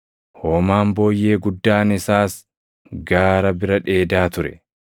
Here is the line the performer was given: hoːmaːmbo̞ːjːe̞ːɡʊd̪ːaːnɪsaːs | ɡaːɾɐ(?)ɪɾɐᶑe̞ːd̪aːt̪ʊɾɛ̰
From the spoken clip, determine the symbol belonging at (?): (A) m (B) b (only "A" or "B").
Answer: B